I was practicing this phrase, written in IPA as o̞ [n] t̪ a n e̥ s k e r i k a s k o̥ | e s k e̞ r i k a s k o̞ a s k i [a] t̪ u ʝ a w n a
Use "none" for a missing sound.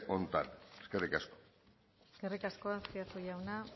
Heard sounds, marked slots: n, a

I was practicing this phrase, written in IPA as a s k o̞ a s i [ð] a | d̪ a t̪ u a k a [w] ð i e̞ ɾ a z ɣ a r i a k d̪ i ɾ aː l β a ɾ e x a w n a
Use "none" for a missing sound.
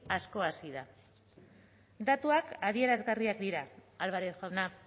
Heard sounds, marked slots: ð, none

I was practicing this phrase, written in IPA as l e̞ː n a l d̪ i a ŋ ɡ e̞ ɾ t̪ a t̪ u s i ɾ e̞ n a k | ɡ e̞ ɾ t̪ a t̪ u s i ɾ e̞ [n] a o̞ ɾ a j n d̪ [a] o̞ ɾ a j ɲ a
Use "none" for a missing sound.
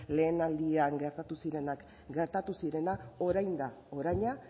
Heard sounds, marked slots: n, a

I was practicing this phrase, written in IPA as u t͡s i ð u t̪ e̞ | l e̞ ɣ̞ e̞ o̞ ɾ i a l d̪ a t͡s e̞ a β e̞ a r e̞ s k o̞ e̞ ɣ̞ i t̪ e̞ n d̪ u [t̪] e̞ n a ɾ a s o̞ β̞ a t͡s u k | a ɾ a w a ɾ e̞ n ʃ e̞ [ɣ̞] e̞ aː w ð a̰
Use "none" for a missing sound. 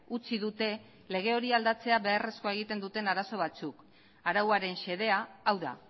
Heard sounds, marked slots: t̪, ð̞

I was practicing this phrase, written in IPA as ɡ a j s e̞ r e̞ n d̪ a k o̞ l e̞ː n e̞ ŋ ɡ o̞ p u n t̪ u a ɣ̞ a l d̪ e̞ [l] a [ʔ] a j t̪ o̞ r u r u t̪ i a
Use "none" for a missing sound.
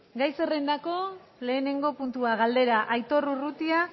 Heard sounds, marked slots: ɾ, ʔ

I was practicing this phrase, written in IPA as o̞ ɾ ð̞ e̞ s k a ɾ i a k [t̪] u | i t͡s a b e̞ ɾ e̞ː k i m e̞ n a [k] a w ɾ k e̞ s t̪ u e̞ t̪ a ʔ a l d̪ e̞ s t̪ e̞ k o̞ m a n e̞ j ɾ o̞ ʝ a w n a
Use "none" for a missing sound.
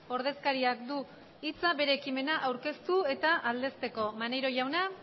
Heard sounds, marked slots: d̪, ʔ

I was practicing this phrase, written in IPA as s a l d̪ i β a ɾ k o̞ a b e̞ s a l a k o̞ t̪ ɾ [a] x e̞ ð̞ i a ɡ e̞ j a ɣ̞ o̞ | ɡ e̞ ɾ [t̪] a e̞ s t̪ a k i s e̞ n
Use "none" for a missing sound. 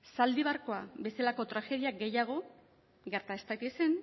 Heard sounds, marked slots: a, t̪

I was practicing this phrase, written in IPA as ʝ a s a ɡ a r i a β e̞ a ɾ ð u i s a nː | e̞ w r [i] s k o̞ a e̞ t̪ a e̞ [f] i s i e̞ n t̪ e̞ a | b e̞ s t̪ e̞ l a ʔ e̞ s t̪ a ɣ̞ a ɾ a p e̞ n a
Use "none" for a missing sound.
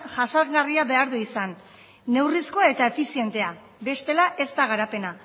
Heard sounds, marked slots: i, f

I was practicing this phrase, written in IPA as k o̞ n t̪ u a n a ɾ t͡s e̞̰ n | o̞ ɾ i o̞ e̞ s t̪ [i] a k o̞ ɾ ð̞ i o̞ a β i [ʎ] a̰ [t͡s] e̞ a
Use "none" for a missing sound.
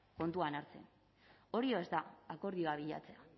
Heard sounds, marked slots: a, ʎ, t͡s

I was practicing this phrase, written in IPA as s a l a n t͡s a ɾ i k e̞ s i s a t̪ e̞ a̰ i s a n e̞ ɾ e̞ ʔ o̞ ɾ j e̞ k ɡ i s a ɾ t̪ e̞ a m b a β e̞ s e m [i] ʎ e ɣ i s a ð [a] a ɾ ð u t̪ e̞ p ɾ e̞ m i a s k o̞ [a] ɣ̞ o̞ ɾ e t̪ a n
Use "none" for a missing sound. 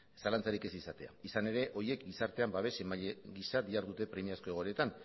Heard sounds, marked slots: a, i, e

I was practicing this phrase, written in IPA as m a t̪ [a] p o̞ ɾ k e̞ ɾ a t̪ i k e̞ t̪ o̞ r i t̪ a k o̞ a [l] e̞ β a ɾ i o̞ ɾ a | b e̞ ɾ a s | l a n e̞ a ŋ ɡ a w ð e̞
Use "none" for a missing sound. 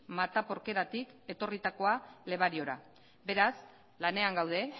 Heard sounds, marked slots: a, l

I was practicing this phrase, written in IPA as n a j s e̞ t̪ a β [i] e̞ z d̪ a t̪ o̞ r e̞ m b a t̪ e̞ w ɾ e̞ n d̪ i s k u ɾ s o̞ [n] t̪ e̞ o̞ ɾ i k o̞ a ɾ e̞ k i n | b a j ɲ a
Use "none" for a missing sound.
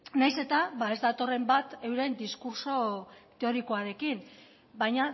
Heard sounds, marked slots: a, none

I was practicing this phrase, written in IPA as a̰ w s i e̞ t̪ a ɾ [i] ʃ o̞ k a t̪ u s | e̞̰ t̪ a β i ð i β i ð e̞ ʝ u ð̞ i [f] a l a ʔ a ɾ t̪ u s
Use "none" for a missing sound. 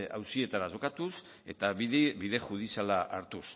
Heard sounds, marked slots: a, s

